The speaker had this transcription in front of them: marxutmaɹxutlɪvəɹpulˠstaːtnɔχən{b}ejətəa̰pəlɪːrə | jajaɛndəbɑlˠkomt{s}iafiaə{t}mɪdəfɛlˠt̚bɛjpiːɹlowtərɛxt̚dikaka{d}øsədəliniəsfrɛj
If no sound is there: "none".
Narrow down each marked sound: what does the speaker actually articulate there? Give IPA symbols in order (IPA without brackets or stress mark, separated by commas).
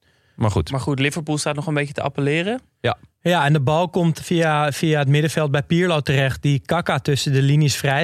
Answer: b, f, t, t